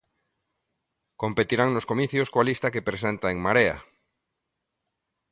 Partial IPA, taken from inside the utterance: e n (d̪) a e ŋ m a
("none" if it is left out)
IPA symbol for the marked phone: t̪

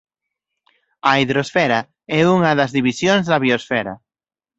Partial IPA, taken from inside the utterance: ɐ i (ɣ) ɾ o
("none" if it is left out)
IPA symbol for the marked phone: ð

